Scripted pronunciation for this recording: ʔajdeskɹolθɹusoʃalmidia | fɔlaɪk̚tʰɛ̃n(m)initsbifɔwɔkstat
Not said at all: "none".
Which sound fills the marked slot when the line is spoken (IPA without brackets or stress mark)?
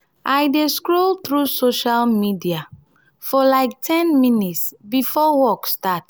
m